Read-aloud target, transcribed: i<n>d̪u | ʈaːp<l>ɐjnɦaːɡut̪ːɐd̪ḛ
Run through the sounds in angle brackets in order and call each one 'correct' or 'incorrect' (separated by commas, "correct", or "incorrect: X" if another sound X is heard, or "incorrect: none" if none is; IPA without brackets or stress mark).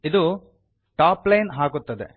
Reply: incorrect: none, correct